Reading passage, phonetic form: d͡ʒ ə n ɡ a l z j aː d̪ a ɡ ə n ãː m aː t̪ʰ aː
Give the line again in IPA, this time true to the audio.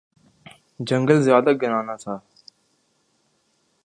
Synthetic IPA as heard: d͡ʒ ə ŋ ɡ ə l z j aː d̪ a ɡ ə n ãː n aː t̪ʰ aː